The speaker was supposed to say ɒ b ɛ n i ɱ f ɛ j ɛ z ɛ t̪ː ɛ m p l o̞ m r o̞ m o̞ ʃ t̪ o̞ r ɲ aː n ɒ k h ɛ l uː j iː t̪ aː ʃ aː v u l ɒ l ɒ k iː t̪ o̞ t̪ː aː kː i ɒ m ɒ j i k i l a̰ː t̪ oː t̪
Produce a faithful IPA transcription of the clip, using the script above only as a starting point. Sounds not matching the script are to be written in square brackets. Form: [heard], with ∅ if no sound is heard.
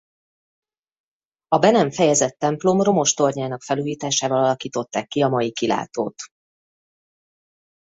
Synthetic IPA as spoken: ɒ b ɛ n [ɛ] ɱ f ɛ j ɛ z ɛ t̪ː ɛ m p l o̞ m r o̞ m o̞ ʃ t̪ o̞ r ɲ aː n ɒ k [f] ɛ l uː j iː t̪ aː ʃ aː v [ɒ] l ɒ l ɒ k iː t̪ o̞ t̪ː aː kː i ɒ m ɒ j i k i l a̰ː t̪ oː t̪